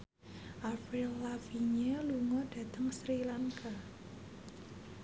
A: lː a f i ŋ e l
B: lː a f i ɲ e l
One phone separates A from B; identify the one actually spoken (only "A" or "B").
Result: B